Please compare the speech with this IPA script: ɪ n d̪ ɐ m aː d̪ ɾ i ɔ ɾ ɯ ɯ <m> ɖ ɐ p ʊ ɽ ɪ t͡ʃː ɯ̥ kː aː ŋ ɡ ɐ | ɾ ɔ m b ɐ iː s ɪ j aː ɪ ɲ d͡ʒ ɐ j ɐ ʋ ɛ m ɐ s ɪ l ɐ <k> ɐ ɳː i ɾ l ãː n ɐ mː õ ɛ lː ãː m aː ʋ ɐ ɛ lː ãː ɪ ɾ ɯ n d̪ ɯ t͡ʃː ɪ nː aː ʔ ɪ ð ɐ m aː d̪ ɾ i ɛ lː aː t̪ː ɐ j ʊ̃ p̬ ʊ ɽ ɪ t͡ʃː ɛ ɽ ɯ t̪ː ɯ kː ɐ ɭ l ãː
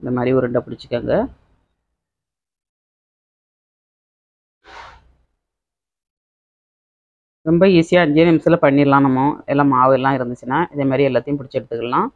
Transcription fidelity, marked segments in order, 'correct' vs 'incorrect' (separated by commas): incorrect, incorrect